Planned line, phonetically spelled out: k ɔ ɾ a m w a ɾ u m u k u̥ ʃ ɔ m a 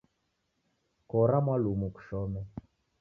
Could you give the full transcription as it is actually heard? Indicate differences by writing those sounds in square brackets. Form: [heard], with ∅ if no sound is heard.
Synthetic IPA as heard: k ɔ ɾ a m w a [l] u m u k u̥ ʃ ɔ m [ɛ]